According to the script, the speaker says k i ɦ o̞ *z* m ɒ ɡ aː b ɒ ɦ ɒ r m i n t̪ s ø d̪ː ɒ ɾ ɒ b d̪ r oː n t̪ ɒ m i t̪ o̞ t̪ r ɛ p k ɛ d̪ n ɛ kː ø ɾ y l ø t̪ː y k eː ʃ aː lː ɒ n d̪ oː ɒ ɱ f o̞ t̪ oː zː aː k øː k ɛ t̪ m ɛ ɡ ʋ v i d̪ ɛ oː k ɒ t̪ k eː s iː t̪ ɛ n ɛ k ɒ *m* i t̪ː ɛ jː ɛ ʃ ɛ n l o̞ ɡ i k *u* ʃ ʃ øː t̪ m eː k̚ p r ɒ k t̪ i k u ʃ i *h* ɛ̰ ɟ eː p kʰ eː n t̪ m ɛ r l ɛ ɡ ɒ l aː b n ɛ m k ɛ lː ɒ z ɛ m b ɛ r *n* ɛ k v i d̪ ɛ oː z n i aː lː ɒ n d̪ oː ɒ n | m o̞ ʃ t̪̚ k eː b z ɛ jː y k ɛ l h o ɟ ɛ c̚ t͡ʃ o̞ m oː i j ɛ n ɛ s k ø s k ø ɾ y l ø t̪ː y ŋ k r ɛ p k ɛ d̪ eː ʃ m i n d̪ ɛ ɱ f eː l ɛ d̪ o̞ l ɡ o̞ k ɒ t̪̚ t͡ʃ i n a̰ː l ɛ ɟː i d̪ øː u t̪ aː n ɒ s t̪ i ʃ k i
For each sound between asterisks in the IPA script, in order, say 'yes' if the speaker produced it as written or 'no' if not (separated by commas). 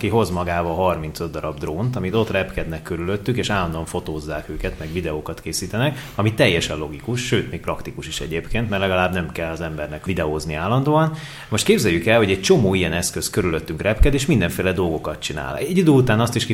yes, yes, yes, no, yes